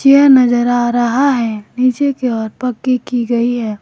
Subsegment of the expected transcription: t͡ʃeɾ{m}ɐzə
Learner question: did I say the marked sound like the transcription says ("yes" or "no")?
no